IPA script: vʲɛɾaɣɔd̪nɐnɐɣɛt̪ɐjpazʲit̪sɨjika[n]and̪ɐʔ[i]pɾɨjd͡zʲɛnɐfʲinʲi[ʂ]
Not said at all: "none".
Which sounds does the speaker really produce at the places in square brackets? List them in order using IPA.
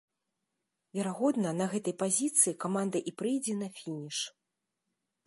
m, i, ʂ

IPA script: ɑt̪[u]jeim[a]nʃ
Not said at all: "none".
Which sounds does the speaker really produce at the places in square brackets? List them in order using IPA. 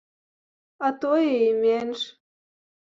o, e

